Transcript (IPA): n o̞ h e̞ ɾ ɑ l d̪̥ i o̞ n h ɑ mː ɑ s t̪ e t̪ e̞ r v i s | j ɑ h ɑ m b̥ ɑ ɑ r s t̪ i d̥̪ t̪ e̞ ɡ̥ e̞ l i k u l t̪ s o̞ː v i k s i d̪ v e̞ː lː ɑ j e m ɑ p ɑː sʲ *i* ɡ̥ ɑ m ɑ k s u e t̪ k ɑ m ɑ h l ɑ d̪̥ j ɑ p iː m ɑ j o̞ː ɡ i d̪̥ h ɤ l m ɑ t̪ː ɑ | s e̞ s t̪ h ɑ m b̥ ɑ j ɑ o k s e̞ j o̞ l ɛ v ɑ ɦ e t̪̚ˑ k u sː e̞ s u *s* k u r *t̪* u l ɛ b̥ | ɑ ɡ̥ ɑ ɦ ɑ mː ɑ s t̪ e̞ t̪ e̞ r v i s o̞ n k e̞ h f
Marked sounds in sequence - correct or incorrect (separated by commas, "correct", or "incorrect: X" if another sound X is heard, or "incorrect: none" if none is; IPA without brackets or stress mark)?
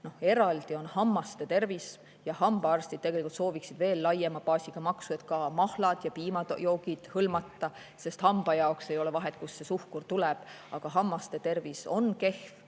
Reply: correct, incorrect: h, correct